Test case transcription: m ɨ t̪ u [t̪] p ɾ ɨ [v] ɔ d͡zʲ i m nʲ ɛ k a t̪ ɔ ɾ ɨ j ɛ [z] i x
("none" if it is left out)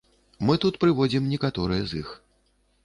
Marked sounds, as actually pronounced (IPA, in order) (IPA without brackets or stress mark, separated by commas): t̪, v, z